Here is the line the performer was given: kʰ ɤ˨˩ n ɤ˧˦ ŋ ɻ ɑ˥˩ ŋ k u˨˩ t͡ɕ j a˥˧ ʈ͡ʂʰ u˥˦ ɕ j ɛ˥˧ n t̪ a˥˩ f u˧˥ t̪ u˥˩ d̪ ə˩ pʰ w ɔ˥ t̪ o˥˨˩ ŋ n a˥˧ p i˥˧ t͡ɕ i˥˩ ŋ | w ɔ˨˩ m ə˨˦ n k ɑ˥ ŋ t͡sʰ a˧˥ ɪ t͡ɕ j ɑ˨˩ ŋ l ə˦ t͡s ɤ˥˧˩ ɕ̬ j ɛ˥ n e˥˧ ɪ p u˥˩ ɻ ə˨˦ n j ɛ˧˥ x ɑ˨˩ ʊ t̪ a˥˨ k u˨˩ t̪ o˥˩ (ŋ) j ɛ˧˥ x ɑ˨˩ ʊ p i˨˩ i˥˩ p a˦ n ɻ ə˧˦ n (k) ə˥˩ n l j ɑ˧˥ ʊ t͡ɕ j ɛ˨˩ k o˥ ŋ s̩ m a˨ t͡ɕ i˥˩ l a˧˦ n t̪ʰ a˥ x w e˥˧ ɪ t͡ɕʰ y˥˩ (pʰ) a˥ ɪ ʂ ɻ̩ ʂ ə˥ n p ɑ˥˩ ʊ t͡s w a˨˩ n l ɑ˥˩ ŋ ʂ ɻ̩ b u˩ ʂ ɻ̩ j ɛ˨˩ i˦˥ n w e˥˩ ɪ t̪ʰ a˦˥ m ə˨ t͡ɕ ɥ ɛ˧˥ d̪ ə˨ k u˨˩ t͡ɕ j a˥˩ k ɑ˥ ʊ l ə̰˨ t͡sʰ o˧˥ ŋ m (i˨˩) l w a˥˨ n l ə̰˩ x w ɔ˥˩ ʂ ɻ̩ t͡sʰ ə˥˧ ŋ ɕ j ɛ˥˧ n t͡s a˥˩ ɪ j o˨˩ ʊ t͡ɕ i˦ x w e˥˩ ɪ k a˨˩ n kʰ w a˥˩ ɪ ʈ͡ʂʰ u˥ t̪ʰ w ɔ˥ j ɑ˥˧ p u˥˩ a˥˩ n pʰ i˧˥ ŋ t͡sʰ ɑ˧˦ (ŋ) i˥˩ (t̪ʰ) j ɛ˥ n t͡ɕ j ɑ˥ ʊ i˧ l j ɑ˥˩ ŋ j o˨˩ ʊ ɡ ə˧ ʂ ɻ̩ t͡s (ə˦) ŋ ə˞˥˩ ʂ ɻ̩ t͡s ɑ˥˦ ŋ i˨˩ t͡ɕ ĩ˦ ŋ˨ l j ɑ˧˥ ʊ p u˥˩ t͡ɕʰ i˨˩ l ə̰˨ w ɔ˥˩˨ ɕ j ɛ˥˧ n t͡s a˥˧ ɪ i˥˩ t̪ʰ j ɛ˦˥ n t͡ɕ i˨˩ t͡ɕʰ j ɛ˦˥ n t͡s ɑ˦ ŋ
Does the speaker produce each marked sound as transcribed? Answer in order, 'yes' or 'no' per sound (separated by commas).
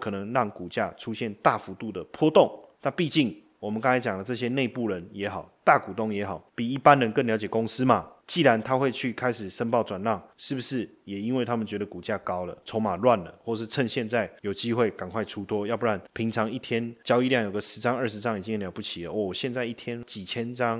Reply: yes, yes, no, no, yes, yes, no